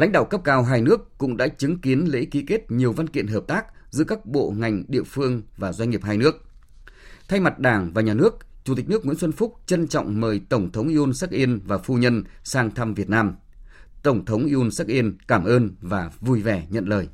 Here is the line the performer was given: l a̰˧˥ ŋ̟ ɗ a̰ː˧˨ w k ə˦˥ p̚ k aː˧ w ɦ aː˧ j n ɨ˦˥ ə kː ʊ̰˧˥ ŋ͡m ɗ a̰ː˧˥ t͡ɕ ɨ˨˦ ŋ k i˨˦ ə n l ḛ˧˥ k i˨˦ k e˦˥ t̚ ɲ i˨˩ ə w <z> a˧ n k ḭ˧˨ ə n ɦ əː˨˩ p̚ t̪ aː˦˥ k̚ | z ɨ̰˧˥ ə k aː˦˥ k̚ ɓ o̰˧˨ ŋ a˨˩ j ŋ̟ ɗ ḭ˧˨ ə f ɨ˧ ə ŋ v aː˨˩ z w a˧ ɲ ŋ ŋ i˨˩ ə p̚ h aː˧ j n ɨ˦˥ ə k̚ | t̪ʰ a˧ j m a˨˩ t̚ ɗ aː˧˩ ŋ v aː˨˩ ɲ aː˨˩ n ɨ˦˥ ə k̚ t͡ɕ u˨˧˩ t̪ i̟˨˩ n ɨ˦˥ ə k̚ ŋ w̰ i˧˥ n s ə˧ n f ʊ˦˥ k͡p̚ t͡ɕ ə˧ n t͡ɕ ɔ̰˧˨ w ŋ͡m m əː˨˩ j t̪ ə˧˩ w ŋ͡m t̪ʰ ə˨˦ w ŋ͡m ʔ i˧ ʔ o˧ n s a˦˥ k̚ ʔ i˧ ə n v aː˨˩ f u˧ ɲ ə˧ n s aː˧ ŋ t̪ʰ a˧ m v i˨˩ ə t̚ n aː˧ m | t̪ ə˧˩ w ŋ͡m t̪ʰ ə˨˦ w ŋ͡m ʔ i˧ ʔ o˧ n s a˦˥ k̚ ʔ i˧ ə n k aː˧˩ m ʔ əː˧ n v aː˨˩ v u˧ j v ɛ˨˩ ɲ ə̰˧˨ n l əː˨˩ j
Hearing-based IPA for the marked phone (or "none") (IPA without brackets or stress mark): v